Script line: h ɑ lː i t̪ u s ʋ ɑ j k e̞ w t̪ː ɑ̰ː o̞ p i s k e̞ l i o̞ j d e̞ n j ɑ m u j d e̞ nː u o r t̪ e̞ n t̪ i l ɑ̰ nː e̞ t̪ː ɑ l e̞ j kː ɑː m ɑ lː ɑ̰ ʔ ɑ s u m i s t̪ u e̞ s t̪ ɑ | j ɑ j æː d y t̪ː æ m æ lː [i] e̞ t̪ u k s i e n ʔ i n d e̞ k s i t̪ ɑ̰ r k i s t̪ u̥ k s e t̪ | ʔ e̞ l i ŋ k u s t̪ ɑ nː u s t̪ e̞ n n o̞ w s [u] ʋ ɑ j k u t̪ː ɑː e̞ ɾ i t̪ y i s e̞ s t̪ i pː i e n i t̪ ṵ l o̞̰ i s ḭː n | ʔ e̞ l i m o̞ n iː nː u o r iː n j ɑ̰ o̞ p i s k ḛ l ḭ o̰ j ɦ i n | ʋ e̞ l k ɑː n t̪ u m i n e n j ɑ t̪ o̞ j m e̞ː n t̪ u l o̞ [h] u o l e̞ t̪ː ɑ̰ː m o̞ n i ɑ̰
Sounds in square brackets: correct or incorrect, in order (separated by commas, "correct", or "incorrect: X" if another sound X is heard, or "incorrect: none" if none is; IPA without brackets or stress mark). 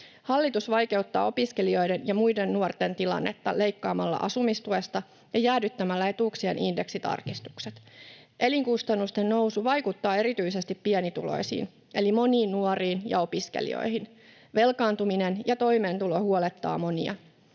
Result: incorrect: æ, correct, correct